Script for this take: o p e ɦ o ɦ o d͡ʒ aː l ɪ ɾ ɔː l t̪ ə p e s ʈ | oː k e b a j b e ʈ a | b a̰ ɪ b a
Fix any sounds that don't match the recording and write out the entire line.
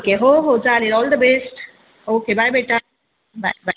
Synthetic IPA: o k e ɦ o ɦ o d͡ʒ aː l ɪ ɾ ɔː l d̪ ə b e s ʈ | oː k e b a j b e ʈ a | b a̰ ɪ b a